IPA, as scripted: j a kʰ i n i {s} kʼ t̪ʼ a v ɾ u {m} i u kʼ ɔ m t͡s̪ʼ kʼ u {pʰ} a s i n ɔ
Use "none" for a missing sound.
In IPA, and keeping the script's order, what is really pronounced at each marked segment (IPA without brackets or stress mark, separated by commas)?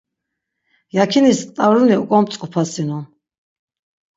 s, n, pʰ